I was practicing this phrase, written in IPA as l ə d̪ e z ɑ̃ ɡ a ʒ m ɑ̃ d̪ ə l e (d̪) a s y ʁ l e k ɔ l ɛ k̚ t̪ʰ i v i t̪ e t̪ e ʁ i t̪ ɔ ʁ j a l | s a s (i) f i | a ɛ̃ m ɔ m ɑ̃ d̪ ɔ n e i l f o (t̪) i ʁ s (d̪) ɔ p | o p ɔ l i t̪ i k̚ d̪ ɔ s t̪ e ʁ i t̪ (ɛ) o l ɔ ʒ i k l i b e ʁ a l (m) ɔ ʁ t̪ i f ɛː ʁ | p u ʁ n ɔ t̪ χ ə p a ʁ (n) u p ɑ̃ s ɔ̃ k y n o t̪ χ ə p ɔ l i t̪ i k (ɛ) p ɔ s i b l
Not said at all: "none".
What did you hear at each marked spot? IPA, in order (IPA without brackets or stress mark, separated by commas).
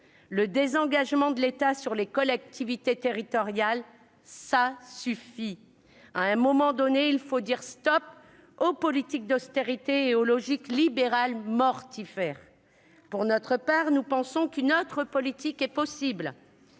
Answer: t̪, y, d̪, t̪, e, m, n, ɛ